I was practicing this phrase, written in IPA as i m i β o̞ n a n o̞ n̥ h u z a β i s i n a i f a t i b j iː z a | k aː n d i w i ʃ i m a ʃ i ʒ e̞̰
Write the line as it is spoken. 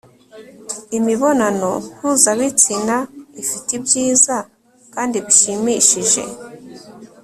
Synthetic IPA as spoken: i m i β o̞ n a n o̞ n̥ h u z a β i t͡s i n a i f i t i b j iː z a | k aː n d i β i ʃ i m i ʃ i ʒ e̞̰